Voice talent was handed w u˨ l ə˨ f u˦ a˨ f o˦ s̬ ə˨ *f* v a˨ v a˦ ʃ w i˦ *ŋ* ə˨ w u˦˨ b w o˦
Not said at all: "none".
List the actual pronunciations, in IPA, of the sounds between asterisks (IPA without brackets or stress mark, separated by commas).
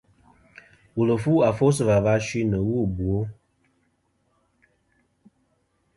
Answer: none, n